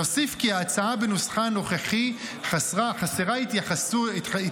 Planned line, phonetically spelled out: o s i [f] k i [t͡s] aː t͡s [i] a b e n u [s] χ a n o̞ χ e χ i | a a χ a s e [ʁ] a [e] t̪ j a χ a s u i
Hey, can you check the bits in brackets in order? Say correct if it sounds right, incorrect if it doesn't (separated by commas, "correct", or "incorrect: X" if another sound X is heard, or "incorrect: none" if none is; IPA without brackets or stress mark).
correct, incorrect: none, incorrect: a, correct, correct, incorrect: i